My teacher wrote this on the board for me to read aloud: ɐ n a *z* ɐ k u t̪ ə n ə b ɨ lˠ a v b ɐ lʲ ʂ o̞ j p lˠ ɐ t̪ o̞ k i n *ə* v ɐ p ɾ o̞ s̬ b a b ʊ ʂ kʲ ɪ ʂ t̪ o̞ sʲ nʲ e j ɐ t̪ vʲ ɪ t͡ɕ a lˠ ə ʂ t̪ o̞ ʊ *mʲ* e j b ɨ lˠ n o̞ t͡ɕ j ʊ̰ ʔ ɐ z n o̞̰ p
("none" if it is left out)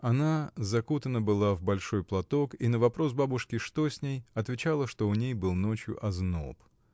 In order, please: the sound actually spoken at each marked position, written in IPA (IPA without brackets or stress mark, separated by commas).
z, ə, nʲ